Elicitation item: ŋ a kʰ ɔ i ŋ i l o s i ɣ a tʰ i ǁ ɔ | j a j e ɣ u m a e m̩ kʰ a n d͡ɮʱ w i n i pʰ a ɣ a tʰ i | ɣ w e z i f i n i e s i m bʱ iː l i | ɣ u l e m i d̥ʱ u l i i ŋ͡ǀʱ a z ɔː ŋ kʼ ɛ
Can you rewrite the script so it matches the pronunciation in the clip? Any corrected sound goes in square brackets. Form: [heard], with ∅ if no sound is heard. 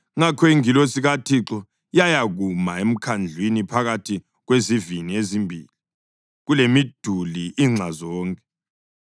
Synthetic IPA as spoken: ŋ a kʰ ɔ i ŋ i l o s i ɣ a tʰ i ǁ ɔ | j a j [a] ɣ u m a e m̩ kʰ a n d͡ɮʱ w i n i pʰ a ɣ a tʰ i | ɣ w e z i [v] i n i e [z] i m bʱ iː l i | ɣ u l e m i d̥ʱ u l i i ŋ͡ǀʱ a z ɔː ŋ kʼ ɛ